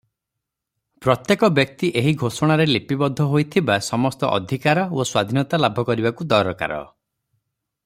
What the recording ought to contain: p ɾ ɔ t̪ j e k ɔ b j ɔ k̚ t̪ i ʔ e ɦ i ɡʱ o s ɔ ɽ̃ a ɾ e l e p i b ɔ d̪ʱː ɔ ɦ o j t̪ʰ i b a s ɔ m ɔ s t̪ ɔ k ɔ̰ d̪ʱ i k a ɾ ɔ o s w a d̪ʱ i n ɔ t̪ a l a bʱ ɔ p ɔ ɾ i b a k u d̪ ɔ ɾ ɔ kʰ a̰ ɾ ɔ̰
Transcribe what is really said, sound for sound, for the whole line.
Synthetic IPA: p ɾ ɔ t̪ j e k ɔ b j ɔ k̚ t̪ i ʔ e ɦ i ɡʱ o s ɔ ɽ̃ a ɾ e l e p i b ɔ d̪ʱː ɔ ɦ o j t̪ʰ i b a s ɔ m ɔ s t̪ ɔ ʔ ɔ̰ d̪ʱ i k a ɾ ɔ o s w a d̪ʱ i n ɔ t̪ a l a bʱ ɔ k ɔ ɾ i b a k u d̪ ɔ ɾ ɔ k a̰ ɾ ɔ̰